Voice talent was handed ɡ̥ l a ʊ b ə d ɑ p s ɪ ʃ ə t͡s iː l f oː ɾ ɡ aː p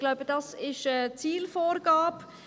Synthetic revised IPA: ɡ̥ l a ʊ b ə d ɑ s ɪ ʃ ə t͡s iː l f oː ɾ ɡ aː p